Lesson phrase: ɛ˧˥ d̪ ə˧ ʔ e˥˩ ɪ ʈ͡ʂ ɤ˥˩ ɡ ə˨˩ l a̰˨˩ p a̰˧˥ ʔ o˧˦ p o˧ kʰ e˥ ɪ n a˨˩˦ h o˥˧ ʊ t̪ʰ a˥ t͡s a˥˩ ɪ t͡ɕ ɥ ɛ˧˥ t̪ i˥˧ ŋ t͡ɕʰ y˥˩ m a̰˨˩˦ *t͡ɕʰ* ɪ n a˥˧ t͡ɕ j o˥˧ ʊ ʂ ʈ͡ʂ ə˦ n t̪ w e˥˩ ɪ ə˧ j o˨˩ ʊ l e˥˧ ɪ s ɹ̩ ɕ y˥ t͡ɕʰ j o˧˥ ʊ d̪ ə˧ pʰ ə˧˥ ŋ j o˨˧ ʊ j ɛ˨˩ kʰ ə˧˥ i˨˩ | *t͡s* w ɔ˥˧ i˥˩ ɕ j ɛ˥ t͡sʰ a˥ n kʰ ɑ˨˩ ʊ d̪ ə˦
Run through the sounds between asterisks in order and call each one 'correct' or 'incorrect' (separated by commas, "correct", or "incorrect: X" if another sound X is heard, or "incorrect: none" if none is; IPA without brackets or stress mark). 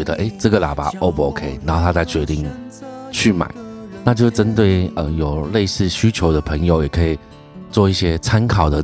incorrect: none, correct